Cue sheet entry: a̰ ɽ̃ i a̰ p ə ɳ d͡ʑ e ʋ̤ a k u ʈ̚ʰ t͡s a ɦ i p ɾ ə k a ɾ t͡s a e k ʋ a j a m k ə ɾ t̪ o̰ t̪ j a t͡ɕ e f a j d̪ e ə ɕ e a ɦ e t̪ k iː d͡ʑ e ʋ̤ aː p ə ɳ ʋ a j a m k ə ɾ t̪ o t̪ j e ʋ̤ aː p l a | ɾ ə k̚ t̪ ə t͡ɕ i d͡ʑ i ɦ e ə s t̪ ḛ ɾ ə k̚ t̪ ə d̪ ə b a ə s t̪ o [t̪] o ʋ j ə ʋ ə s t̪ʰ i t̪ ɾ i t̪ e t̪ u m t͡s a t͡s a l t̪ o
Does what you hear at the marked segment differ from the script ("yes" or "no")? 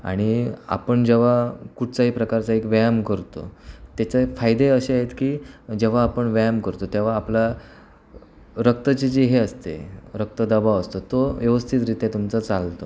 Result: no